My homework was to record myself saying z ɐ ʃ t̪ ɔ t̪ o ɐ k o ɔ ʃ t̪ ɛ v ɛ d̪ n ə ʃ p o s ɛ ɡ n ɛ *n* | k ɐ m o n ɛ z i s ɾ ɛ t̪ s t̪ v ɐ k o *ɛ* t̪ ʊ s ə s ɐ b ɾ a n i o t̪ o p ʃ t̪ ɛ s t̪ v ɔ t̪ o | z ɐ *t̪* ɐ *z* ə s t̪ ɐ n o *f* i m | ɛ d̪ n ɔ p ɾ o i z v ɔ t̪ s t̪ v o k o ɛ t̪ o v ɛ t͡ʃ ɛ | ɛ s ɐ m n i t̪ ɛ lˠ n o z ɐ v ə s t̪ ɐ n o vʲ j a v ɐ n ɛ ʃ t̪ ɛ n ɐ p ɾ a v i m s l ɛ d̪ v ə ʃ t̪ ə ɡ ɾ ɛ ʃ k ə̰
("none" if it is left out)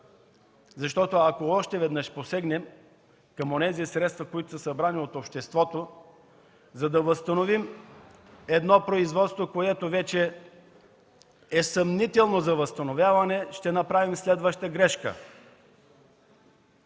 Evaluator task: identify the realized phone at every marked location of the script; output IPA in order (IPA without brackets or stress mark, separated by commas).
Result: m, i, d̪, v, v